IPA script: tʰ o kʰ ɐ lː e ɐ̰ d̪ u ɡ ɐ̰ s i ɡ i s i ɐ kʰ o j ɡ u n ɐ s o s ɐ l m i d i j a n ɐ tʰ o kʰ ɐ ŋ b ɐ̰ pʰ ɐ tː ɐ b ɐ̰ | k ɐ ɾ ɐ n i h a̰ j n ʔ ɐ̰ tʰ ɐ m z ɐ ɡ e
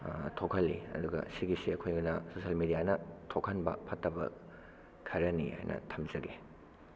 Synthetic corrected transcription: tʰ o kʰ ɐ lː i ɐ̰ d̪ u ɡ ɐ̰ s i ɡ i s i ɐ kʰ o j ɡ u n ɐ s o s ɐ l m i d i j a n ɐ tʰ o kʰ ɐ n b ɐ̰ pʰ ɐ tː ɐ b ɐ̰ | kʰ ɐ ɾ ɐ n i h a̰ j n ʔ ɐ̰ tʰ ɐ m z ɐ ɡ e